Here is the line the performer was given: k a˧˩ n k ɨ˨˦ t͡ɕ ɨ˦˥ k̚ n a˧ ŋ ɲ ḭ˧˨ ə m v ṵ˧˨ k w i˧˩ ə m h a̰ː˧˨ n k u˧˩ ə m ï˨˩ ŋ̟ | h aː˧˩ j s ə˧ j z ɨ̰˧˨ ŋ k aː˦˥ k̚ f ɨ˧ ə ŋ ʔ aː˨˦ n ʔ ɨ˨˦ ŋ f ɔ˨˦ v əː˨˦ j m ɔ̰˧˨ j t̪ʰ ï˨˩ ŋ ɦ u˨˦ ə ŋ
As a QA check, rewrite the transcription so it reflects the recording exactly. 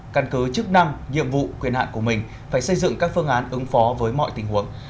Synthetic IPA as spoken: k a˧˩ n k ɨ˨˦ t͡ɕ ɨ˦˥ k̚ n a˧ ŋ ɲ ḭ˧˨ ə m v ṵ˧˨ k w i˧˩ ə n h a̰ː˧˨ n k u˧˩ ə m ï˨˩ ŋ̟ | f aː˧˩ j s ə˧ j z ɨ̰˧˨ ŋ k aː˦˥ k̚ f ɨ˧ ə ŋ ʔ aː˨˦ n ʔ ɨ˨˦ ŋ f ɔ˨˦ v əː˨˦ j m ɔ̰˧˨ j t̪ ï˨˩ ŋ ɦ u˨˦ ə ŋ